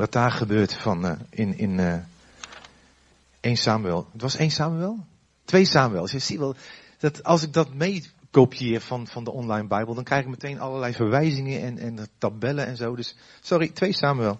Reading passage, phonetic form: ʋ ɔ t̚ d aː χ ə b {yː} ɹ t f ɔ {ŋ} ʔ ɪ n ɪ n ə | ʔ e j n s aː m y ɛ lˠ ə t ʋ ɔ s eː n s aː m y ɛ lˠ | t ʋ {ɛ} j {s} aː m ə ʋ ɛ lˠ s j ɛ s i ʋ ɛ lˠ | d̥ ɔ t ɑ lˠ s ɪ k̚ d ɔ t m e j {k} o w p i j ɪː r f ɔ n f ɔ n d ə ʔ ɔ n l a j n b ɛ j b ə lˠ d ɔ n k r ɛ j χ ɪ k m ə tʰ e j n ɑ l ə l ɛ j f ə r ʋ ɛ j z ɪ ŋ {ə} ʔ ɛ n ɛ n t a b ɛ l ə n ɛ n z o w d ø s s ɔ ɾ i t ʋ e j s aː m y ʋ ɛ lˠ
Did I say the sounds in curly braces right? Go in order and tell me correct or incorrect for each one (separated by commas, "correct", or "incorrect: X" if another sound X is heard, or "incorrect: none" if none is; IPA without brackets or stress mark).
incorrect: øː, incorrect: n, incorrect: e, correct, correct, correct